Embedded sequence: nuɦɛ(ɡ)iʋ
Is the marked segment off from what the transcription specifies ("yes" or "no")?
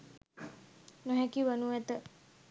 yes